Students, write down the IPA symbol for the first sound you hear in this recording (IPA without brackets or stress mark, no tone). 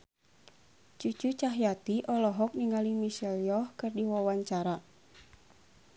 t͡ʃ